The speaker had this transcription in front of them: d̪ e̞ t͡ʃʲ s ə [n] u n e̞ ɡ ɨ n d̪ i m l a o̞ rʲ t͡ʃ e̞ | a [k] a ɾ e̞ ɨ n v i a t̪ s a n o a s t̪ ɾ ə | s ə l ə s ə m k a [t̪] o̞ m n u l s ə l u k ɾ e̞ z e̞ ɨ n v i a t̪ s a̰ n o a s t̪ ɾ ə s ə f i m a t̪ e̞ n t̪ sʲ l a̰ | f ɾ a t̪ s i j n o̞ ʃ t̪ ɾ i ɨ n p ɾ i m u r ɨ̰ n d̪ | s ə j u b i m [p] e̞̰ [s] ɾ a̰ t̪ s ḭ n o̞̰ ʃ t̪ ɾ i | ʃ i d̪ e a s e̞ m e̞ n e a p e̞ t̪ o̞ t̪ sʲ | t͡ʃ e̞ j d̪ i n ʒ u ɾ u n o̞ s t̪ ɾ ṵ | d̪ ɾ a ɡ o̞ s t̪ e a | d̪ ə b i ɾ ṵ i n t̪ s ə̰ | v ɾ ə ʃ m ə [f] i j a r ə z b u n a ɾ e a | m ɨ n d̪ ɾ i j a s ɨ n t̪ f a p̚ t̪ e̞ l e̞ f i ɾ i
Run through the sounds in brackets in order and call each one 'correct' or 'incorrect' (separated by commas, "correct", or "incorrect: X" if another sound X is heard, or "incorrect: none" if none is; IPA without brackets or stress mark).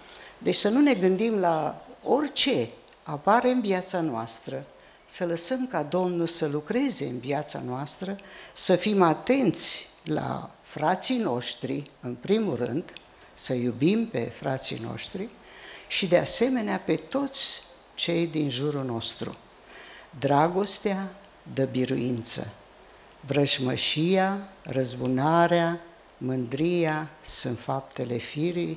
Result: correct, incorrect: p, incorrect: d̪, correct, incorrect: f, incorrect: ʃ